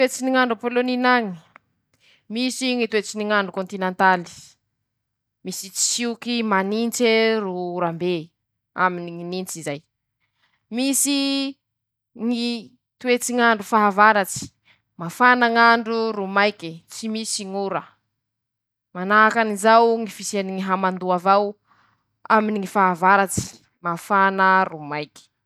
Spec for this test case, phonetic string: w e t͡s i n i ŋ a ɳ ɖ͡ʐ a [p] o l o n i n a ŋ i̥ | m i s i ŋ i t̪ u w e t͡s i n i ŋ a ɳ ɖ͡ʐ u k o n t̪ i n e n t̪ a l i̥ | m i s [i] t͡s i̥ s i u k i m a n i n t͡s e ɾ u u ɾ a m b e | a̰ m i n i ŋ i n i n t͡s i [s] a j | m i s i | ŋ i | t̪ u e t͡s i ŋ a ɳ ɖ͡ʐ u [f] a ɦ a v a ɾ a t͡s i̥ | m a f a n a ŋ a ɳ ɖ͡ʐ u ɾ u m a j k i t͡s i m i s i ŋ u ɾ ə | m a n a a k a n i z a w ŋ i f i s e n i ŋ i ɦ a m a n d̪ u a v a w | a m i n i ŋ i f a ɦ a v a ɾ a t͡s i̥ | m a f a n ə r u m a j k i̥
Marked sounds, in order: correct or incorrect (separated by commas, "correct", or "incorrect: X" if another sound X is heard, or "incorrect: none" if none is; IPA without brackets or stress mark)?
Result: correct, correct, incorrect: z, correct